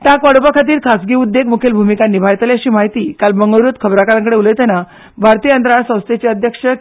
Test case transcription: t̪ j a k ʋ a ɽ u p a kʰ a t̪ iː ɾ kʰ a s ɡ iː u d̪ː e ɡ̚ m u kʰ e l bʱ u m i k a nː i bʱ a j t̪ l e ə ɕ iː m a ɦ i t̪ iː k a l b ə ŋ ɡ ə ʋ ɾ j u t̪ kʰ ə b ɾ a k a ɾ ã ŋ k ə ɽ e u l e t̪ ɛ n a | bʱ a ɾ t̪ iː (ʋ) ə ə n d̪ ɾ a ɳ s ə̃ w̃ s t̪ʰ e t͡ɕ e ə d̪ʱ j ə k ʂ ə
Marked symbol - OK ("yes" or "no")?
no